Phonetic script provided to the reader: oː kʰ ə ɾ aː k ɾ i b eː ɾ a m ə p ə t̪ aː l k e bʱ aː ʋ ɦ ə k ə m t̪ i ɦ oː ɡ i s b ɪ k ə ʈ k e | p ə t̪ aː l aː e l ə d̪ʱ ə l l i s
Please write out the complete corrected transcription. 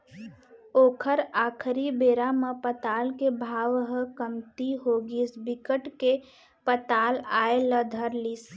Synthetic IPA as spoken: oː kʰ ə ɾ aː kʰ ɾ i b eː ɾ a m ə p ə t̪ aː l k e bʱ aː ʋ ɦ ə k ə m t̪ i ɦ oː ɡ i s b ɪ k ə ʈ k e | p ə t̪ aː l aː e l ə d̪ʱ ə ɾ l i s

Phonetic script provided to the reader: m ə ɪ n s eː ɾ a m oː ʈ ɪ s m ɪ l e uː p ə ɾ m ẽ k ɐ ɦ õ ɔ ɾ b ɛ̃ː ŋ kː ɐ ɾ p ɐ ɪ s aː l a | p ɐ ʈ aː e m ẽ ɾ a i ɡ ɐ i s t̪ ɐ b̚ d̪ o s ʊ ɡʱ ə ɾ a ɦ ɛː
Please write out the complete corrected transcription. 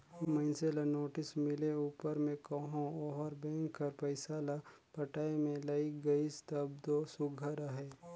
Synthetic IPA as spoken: m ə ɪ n s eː l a n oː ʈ ɪ s m ɪ l e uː p ə ɾ m ẽ k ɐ ɦ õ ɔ ɾ b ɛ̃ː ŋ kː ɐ ɾ p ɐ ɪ s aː l a | p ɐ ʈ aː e m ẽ l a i ɡ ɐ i s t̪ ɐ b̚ d̪ o s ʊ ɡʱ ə ɾ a ɦ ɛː

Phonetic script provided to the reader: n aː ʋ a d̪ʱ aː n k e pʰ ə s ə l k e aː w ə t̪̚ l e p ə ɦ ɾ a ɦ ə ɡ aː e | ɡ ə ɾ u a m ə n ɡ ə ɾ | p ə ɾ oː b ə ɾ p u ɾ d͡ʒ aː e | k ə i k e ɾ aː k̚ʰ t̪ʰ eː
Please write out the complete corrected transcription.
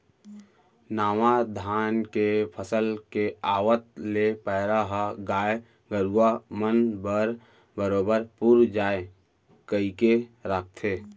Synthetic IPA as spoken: n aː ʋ a d̪ʱ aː n k e pʰ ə s ə l k e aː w ə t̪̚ l e p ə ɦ ɾ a ɦ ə ɡ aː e | ɡ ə ɾ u a m ə n b ə ɾ | b ə ɾ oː b ə ɾ p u ɾ d͡ʒ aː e | k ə i k e ɾ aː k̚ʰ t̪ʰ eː

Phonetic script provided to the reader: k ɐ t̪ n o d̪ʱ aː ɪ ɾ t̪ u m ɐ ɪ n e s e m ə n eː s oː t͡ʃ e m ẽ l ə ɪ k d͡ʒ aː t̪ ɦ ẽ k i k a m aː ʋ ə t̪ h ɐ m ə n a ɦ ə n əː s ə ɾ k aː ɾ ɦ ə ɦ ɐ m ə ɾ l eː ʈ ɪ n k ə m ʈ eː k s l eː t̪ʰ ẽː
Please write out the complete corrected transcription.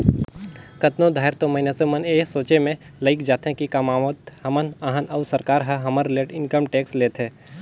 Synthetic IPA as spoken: k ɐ t̪ n o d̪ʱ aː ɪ ɾ t̪ o m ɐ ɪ n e s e m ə n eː s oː t͡ʃ e m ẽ l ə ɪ k d͡ʒ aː t̪ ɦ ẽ k i k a m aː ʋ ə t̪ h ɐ m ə n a ɦ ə n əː s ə ɾ k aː ɾ ɦ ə ɦ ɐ m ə ɾ l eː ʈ ɪ n k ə m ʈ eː k s l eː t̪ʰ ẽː

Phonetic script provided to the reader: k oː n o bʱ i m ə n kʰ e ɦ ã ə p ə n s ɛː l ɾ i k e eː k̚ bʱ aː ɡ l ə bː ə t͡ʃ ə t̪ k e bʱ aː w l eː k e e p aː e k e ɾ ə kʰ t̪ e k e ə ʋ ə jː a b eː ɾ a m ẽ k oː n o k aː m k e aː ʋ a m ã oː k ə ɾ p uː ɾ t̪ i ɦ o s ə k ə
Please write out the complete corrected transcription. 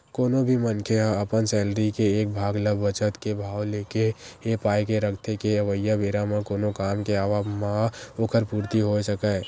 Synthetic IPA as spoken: k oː n o bʱ i m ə n kʰ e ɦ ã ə p ə n s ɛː l ɾ i k e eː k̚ bʱ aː ɡ l ə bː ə t͡ʃ ə t̪ k e bʱ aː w l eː k e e p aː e k e ɾ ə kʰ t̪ e k e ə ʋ ə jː a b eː ɾ a m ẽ k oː n o k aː m k e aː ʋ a m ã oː k ə ɾ p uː ɾ t̪ i ɦ o s ə k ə

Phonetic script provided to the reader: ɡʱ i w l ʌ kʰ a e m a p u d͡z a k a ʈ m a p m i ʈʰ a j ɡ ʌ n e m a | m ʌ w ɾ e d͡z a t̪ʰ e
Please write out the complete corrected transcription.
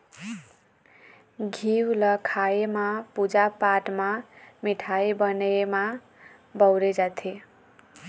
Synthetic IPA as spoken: ɡʱ i w l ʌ kʰ a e m a p u d͡z a p a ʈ m a m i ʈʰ a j b ʌ n e m a | b ʌ w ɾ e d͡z a t̪ʰ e

